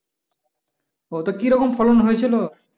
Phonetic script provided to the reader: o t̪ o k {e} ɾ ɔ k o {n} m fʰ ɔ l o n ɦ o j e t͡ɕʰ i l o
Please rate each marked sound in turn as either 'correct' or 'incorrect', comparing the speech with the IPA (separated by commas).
incorrect, incorrect